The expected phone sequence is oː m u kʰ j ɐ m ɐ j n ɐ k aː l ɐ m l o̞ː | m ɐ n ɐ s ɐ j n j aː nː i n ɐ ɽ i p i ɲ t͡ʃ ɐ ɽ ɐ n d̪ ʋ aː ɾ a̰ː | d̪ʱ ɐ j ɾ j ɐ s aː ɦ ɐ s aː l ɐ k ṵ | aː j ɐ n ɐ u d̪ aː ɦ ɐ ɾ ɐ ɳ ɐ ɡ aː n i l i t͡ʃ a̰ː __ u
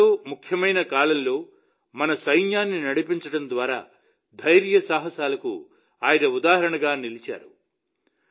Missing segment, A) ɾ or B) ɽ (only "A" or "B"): A